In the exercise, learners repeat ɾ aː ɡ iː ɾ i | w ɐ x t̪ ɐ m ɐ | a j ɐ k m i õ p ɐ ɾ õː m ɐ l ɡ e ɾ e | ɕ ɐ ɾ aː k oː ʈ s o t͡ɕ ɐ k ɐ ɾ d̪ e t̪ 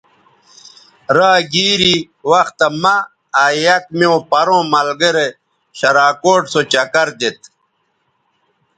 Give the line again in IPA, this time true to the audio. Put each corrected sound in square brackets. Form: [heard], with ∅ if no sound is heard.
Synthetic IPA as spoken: ɾ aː ɡ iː ɾ i | w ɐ x t̪ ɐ m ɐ | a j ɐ k m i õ p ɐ ɾ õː m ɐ l ɡ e ɾ e | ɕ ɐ ɾ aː k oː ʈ s o t͡ɕ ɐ k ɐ ɾ d̪ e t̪

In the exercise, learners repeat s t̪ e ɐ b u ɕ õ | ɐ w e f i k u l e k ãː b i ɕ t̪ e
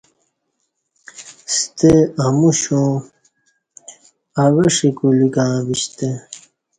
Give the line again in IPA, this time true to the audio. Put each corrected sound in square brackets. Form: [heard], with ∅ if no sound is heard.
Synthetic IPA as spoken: s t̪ e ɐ [m] u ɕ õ | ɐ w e [ʂ] i k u l [i] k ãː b i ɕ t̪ e

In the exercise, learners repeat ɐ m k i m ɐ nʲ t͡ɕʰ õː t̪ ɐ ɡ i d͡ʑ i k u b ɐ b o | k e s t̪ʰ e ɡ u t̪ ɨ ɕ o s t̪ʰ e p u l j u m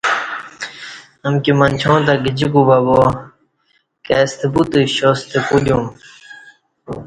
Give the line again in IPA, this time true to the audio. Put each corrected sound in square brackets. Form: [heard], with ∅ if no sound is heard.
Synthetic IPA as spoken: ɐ m k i m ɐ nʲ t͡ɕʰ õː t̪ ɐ ɡ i d͡ʑ i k u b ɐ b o | k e s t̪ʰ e [b] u t̪ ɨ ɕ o s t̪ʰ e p u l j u m

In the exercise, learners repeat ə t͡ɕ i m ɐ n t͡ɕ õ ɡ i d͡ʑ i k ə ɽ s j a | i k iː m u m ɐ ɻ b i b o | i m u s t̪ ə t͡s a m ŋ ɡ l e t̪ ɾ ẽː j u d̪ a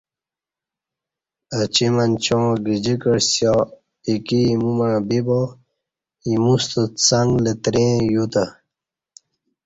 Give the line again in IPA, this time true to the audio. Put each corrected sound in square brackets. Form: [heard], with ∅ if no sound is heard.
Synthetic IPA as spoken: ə t͡ɕ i m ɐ n t͡ɕ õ ɡ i d͡ʑ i k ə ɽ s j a | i k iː m u m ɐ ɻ b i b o | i m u s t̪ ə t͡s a [∅] ŋ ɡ l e t̪ ɾ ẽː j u [t̪] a

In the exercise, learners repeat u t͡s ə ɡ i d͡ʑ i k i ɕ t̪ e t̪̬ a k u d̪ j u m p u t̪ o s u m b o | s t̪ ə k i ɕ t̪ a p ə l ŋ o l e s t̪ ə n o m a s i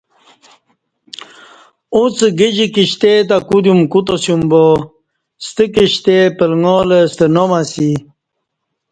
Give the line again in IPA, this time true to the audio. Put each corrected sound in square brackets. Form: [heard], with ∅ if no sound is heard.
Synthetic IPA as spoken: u t͡s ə ɡ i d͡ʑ i k i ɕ t̪ e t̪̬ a k u d̪ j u m [k] u t̪ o s u m b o | s t̪ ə k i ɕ t̪ [e] p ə l ŋ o l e s t̪ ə n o m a s i

